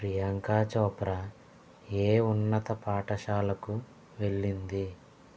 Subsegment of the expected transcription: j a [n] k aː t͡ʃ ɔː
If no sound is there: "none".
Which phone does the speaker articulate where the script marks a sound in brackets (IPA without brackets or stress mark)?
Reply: ŋ